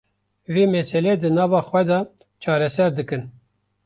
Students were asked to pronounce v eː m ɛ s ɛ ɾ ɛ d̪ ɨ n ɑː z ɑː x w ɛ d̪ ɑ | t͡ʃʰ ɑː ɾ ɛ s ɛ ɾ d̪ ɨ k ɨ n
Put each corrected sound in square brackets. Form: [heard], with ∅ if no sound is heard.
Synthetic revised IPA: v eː m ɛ s ɛ [l] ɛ d̪ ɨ n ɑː [v] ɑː x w ɛ d̪ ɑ | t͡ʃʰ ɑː ɾ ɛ s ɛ ɾ d̪ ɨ k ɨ n